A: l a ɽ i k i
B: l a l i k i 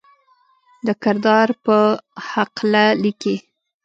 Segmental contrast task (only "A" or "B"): B